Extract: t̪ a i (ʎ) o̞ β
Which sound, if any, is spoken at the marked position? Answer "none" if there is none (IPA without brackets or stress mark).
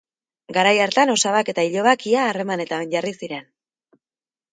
ʎ